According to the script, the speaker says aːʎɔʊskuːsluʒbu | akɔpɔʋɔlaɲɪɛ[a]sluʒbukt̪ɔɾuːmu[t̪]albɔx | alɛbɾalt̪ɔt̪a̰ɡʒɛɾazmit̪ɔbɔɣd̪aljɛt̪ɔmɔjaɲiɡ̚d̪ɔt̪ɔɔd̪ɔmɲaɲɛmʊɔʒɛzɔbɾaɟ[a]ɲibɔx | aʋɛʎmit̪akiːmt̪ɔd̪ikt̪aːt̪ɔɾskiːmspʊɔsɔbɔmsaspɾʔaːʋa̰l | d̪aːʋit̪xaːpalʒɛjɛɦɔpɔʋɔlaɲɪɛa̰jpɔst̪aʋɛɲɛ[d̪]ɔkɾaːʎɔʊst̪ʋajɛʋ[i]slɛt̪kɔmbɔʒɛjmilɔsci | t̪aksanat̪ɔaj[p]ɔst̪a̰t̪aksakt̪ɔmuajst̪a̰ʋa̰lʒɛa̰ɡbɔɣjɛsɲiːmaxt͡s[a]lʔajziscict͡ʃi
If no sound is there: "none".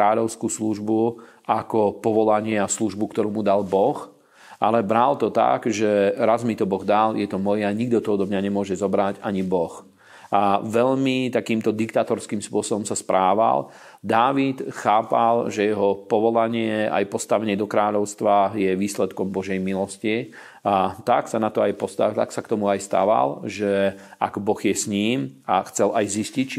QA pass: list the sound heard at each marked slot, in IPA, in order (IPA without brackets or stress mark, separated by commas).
a, d̪, a, d̪, iː, p, ɛ